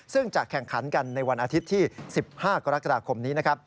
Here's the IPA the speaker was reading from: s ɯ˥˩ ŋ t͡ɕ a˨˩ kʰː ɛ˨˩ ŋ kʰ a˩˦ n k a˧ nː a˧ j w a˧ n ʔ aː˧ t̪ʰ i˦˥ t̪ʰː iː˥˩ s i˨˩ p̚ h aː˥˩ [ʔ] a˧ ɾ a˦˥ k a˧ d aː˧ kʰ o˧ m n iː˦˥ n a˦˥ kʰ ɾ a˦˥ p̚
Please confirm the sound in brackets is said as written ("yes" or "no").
no